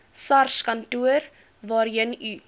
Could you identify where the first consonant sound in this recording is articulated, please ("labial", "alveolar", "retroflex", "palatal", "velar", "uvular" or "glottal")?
alveolar